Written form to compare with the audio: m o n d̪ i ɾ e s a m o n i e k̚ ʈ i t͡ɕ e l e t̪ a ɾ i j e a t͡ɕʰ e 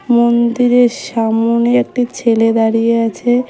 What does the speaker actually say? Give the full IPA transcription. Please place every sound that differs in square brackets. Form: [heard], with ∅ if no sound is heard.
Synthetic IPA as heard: m o n d̪ i ɾ e [ʃ] a m o n i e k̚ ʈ i [t͡ɕʰ] e l e [d̪] a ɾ i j e a t͡ɕʰ e

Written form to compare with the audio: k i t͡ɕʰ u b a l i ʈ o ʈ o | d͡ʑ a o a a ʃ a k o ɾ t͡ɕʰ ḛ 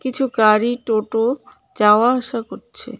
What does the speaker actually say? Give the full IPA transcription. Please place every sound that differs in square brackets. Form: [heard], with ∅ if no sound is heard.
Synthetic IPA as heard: k i t͡ɕʰ u [ɡ] a [ɾ] i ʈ o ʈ o | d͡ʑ a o a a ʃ a k o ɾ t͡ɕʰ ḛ

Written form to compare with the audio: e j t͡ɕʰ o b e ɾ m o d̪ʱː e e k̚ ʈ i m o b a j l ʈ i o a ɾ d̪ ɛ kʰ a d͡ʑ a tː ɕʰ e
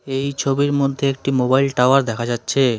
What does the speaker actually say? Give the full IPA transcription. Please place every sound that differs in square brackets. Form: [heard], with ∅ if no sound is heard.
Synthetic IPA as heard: e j t͡ɕʰ o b [i] ɾ m o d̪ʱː e e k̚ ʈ i m o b a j l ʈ [a] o a ɾ d̪ ɛ kʰ a d͡ʑ a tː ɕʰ e

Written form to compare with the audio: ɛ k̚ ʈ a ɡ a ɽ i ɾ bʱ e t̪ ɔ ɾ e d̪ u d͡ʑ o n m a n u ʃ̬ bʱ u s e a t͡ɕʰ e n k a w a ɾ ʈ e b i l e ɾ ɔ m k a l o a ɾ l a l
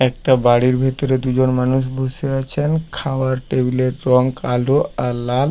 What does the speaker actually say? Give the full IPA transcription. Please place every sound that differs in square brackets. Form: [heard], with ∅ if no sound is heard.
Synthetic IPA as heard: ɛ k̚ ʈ a [b] a ɽ i ɾ bʱ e t̪ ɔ ɾ e d̪ u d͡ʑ o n m a n u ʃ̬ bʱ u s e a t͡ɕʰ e n [kʰ] a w a ɾ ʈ e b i l e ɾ ɔ [ŋ] k a l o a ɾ l a l

